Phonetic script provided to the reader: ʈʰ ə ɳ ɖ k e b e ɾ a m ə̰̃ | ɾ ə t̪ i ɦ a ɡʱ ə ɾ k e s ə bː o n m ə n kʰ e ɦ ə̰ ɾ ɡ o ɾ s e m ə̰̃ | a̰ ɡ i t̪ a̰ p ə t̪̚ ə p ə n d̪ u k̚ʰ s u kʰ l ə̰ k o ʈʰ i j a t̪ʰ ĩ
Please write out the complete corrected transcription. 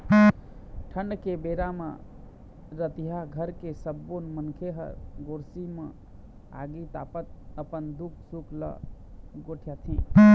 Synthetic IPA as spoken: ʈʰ ə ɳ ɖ k e b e ɾ a m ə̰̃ | ɾ ə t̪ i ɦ a ɡʱ ə ɾ k e s ə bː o n m ə n kʰ e ɦ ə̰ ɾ ɡ o ɾ s i m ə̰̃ | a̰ ɡ i t̪ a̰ p ə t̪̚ ə p ə n d̪ u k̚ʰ s u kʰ l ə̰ ɡ o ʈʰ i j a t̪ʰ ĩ

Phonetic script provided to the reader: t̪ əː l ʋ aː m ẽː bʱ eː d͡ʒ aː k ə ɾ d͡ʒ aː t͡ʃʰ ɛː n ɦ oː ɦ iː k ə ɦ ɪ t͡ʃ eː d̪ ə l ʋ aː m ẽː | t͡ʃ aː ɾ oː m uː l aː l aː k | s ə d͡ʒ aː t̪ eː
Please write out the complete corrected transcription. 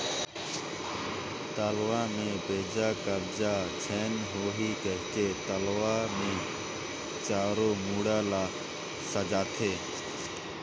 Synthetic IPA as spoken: t̪ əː l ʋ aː m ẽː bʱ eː d͡ʒ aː k ə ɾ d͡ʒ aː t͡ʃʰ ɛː n ɦ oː ɦ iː k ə ɦ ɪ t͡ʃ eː t̪ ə l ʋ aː m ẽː | t͡ʃ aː ɾ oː m uː ɽ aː l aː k | s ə d͡ʒ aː t̪ʰ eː

